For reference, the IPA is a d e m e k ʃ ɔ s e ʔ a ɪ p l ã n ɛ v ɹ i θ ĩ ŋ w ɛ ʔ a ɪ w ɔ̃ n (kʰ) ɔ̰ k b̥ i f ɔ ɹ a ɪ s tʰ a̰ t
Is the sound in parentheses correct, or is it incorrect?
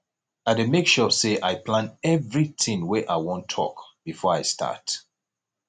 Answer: incorrect